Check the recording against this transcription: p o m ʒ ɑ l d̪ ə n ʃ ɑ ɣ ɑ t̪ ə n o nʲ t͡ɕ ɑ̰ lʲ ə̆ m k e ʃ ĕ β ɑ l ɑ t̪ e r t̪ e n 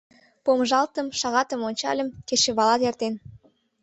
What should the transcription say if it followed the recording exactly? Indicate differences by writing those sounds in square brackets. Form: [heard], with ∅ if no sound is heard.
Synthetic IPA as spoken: p o m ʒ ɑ l [t̪] ə [m] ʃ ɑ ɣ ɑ t̪ ə [m] o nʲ t͡ɕ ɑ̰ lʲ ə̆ m k e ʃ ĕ β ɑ l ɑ t̪ e r t̪ e n